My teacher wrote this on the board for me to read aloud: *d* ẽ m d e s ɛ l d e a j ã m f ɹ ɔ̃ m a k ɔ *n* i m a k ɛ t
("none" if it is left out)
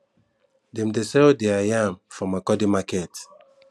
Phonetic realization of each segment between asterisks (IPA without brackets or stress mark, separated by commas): d, d